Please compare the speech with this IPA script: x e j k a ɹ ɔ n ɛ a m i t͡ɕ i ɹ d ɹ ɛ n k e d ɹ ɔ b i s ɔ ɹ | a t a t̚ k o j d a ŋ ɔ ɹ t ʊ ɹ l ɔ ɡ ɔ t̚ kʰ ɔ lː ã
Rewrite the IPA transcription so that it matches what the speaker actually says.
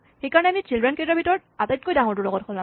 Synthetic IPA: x e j k a ɹ ɔ n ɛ a m i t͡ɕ i l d ɹ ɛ n k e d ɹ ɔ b i t ɔ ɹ | a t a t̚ k o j d a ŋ ɔ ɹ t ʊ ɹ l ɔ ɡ ɔ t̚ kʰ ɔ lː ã